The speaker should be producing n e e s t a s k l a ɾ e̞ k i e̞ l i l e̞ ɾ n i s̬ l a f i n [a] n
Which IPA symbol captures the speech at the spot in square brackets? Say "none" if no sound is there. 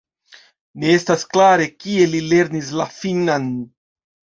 a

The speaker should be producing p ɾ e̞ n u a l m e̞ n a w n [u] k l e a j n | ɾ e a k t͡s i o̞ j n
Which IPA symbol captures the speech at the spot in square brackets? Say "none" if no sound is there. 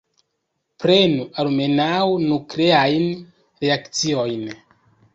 u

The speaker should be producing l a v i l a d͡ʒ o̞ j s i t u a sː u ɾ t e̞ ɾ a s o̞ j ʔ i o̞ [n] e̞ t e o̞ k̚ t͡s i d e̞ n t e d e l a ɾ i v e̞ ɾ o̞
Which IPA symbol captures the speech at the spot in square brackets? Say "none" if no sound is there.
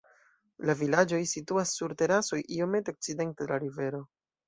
m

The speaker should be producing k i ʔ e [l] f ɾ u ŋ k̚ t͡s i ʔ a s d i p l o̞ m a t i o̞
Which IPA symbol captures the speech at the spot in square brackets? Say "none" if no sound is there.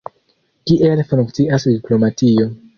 l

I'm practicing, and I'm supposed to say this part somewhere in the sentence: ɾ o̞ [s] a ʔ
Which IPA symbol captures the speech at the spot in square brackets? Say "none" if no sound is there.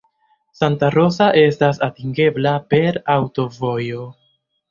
s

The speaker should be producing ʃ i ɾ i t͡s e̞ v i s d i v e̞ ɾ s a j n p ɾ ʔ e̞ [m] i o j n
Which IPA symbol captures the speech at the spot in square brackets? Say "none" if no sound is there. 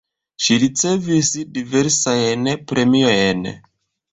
m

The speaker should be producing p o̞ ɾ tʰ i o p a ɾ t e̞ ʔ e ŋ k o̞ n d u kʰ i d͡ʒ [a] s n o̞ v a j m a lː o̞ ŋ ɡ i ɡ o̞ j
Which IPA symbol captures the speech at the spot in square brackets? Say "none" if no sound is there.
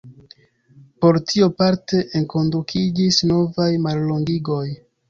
i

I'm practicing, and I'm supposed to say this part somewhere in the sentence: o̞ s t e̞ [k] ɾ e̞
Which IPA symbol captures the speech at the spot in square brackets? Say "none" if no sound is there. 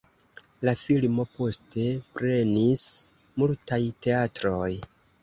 p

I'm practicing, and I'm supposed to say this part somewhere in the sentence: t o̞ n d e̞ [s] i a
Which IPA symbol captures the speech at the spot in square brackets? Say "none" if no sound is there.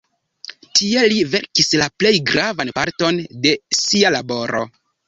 s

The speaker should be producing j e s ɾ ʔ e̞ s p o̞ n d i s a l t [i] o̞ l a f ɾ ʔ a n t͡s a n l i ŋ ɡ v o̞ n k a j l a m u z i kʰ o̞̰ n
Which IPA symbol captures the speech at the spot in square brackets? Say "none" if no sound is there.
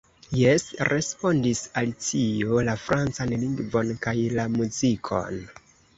i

